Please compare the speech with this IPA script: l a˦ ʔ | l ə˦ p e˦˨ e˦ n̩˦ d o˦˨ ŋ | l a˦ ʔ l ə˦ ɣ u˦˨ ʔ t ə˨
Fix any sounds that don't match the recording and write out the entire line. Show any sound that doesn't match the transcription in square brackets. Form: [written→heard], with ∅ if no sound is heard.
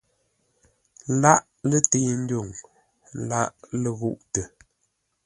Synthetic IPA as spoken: l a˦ ʔ | l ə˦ [p→t] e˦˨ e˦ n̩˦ d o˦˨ ŋ | l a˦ ʔ l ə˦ ɣ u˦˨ ʔ t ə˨